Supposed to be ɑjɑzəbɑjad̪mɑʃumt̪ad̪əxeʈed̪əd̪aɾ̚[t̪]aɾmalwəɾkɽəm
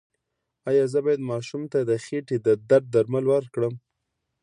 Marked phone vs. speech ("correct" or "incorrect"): incorrect